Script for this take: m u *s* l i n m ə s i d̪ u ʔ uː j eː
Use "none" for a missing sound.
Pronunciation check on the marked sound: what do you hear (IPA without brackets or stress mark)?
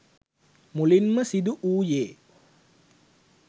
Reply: none